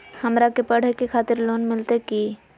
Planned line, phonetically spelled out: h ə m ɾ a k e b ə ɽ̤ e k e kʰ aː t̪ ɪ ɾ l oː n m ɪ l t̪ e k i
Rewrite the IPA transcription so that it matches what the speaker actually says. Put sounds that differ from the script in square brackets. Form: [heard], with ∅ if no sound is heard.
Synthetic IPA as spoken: h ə m ɾ a k e [p] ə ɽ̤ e k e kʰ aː t̪ ɪ ɾ l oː n m ɪ l t̪ e k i